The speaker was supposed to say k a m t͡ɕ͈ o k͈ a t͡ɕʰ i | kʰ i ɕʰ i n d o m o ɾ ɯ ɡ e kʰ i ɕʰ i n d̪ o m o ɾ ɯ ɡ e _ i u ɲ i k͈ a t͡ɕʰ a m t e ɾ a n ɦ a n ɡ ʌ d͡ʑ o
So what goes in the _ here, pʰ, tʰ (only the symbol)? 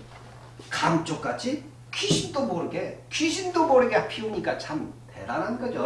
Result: pʰ